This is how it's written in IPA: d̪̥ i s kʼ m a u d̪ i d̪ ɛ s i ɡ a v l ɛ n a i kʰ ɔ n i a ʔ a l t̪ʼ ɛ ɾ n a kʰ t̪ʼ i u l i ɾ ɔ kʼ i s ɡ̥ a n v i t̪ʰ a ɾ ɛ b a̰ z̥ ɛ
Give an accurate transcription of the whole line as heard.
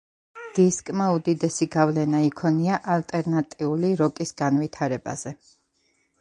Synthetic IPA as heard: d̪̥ i s kʼ m a u d̪ i d̪ ɛ s i ɡ a v l ɛ n a i kʰ ɔ n i a ʔ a l t̪ʼ ɛ ɾ n a t̪ʼ i u l i ɾ ɔ kʼ i s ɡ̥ a n v i t̪ʰ a ɾ ɛ b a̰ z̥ ɛ